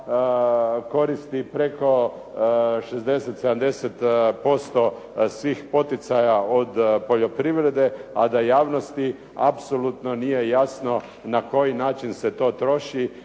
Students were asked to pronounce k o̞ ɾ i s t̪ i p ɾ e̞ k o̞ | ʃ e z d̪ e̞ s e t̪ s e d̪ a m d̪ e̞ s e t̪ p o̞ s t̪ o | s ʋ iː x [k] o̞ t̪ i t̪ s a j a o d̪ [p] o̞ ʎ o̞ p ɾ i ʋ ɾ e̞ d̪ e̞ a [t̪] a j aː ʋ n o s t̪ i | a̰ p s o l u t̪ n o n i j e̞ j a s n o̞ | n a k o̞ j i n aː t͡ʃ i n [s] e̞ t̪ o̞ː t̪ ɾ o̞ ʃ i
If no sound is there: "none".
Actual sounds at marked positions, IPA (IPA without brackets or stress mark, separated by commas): p, p, d̪, s